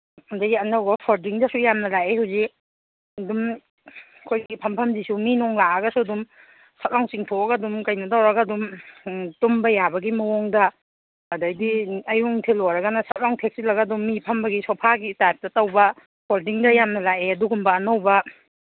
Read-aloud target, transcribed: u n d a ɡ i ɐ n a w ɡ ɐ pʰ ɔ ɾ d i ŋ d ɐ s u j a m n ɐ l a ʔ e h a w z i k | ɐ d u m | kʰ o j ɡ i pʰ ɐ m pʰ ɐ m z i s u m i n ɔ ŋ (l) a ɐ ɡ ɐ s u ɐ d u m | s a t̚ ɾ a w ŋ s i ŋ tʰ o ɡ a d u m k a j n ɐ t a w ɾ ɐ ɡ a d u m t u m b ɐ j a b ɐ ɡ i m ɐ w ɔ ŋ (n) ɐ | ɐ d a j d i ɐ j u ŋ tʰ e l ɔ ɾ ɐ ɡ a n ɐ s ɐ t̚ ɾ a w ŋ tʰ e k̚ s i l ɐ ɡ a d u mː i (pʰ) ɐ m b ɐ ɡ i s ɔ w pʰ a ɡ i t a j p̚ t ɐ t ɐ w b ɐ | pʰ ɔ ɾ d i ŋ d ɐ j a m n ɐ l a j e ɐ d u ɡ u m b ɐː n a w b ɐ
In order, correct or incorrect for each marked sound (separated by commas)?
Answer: correct, incorrect, correct